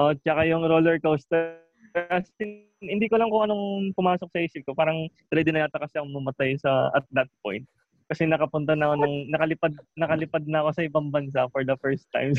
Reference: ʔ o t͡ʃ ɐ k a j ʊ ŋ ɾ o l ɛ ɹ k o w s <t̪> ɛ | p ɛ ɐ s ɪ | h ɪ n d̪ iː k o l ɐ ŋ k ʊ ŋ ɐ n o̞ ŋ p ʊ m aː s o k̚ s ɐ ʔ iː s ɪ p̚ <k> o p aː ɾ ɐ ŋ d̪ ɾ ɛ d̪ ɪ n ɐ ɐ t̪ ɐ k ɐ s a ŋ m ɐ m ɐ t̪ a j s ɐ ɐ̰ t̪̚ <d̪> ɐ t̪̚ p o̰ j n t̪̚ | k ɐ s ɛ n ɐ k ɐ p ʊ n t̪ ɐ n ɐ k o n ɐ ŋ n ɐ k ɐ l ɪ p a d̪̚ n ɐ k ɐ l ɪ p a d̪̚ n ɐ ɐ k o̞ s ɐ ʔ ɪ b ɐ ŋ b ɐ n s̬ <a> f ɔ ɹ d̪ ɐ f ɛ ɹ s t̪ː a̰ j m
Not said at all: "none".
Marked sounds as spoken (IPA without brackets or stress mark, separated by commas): t̪, k, d̪, a